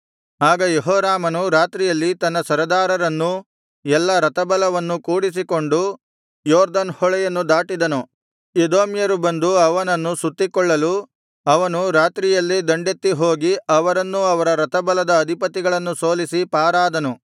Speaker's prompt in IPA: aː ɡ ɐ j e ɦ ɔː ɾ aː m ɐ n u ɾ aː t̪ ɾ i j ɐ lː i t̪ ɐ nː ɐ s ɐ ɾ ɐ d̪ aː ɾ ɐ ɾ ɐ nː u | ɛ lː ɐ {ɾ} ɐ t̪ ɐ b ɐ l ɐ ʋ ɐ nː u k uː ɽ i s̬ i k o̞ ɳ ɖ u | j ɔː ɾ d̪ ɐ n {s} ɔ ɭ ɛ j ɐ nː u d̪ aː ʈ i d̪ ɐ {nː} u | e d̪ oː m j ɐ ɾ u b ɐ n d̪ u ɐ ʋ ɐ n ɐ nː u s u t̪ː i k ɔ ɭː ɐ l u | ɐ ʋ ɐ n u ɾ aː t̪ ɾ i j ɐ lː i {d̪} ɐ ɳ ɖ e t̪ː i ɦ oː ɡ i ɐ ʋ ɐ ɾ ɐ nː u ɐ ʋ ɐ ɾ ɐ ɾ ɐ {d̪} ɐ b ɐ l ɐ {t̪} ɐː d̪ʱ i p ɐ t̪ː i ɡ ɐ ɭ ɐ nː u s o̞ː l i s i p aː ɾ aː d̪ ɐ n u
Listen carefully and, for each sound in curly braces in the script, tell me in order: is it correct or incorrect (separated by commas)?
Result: correct, incorrect, incorrect, correct, incorrect, incorrect